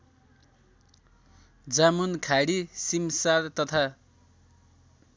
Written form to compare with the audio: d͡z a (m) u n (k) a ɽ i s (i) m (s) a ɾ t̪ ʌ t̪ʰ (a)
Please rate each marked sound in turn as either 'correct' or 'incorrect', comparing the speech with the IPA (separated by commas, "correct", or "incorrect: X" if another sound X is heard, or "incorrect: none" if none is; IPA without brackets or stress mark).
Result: correct, incorrect: kʰ, correct, correct, correct